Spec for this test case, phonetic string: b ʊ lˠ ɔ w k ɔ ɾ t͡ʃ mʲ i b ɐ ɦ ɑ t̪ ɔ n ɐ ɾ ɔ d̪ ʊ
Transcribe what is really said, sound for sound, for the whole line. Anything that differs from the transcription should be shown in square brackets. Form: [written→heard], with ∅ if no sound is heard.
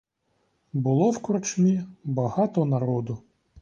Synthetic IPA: b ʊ lˠ ɔ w k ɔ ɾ t͡ʃ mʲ i b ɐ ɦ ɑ t̪ ɔ n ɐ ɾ ɔ d̪ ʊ